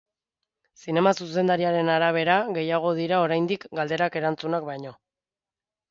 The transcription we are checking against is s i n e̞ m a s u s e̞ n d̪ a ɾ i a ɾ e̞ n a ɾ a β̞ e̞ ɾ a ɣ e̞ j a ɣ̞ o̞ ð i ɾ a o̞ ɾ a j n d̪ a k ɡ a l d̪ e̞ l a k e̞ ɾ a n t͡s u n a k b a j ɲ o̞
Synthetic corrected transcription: s i n e̞ m a s u s e̞ n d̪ a ɾ i a ɾ e̞ n a ɾ a β̞ e̞ ɾ a ɣ e̞ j a ɣ̞ o̞ ð i ɾ a o̞ ɾ a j n d̪ i k ɡ a l d̪ e̞ ɾ a k e̞ ɾ a n t͡s u n a k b a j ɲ o̞